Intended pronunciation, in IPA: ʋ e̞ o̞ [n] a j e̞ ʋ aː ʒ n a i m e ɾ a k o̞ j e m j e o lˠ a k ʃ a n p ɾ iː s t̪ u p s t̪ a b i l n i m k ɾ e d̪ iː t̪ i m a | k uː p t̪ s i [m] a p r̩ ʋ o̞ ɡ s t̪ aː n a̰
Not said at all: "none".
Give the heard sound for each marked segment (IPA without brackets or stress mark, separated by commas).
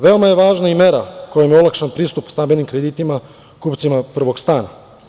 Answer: m, m